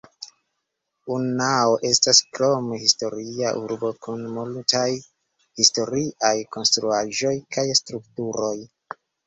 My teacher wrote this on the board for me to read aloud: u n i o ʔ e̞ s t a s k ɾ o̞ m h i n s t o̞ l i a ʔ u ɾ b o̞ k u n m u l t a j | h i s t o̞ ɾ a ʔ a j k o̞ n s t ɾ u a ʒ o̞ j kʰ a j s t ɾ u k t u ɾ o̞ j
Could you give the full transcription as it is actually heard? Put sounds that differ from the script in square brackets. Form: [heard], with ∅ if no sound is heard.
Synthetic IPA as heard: u n [a] o ʔ e̞ s t a s k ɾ o̞ m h i [∅] s t o̞ [ɾ] i a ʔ u ɾ b o̞ k u n m u l t a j | h i s t o̞ ɾ [i] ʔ a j k o̞ n s t ɾ u a ʒ o̞ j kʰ a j s t ɾ u k t u ɾ o̞ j